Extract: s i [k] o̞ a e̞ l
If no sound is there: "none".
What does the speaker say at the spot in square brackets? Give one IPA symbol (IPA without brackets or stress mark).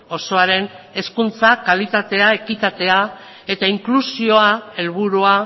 none